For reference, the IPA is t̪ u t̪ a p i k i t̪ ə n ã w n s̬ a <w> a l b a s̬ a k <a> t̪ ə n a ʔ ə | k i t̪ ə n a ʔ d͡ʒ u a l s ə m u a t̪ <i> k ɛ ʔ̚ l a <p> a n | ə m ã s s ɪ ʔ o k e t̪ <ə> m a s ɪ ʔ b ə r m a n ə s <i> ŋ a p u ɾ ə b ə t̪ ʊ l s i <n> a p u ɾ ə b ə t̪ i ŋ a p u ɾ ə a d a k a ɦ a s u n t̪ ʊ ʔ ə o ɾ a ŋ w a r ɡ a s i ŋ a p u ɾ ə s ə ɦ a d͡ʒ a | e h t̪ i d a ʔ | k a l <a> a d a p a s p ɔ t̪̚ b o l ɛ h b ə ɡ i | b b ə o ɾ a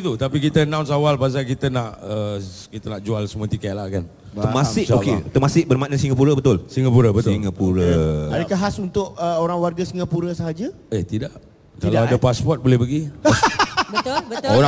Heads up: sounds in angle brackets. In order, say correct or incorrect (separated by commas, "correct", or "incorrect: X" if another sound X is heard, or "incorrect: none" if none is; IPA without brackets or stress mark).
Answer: correct, incorrect: i, correct, incorrect: k, correct, correct, incorrect: ŋ, correct